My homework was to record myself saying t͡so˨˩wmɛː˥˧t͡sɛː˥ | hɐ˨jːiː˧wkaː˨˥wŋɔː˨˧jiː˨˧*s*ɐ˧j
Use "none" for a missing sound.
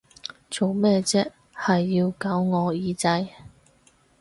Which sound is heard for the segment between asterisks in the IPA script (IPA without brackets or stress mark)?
t͡s